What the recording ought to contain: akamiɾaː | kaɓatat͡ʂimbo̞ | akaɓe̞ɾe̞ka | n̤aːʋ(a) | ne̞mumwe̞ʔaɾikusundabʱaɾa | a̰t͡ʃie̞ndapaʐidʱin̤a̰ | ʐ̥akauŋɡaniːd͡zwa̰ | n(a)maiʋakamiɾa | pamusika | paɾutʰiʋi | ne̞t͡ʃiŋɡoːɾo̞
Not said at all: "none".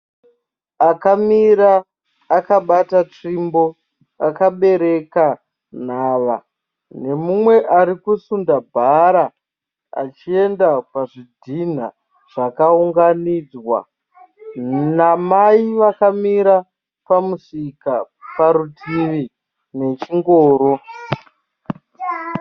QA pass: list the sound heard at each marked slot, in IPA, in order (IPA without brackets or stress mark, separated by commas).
a, a